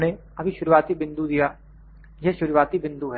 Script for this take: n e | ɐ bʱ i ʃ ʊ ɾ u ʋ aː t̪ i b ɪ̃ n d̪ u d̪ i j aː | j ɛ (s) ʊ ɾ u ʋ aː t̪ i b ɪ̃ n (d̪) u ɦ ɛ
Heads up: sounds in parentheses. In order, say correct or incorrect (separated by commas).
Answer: incorrect, correct